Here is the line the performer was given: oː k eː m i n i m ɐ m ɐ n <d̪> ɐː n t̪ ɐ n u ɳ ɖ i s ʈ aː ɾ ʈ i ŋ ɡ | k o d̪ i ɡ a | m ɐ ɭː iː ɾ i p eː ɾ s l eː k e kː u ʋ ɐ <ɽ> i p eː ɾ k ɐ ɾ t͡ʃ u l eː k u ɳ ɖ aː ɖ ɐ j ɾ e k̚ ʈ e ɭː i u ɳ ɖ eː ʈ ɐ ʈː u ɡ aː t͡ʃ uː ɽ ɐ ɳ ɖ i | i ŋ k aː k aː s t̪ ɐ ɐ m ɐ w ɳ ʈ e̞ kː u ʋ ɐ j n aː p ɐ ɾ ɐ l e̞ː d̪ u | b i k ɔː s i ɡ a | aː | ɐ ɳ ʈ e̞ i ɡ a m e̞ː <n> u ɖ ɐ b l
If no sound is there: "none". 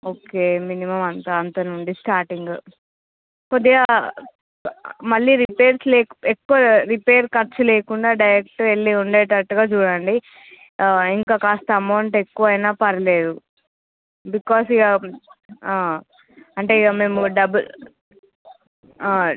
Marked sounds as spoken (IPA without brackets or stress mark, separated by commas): t̪, ɾ, m